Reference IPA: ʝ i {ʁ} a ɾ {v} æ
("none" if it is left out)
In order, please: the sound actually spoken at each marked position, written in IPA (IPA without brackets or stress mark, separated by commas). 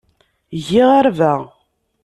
ʁ, v